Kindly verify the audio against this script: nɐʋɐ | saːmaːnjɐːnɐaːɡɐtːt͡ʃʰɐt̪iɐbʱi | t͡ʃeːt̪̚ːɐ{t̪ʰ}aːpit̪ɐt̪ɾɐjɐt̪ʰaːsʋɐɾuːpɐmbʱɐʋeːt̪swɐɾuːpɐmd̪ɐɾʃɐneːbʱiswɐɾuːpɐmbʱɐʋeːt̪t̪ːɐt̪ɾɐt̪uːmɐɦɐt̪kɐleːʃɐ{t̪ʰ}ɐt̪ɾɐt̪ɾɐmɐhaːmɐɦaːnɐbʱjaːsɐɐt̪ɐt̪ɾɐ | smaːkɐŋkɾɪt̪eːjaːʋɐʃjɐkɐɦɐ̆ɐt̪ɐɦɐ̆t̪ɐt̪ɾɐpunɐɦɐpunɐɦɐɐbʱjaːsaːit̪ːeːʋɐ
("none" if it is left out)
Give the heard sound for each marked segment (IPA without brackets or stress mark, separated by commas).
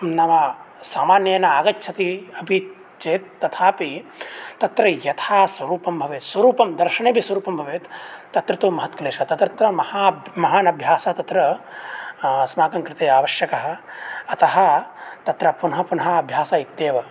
t̪ʰ, t̪